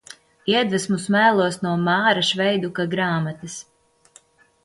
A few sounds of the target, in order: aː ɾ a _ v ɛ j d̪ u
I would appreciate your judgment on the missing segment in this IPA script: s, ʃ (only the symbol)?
ʃ